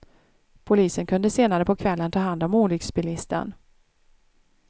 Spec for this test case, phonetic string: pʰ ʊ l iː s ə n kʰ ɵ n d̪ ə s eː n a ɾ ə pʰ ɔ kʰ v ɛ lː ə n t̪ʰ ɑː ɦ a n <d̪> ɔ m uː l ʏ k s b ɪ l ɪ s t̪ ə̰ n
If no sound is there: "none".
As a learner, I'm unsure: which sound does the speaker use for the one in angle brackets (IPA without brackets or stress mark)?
d̪